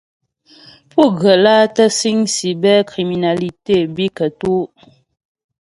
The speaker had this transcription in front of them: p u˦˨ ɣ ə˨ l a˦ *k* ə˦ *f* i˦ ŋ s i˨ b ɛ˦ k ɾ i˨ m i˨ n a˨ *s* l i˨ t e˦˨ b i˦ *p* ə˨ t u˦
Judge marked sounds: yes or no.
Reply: no, no, no, no

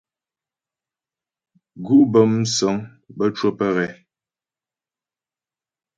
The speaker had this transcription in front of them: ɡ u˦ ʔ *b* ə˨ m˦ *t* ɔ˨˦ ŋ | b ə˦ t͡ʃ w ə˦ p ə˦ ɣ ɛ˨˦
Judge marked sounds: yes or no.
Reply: yes, no

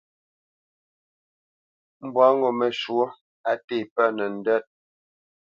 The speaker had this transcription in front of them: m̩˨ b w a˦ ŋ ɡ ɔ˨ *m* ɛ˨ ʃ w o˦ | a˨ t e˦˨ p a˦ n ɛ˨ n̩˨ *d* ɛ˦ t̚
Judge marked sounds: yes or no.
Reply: yes, yes

